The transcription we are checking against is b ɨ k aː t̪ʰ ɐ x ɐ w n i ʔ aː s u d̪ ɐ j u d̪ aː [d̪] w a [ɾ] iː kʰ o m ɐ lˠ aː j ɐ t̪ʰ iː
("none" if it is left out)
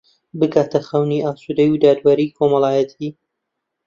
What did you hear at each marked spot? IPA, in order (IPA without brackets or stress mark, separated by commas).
d̪, ɾ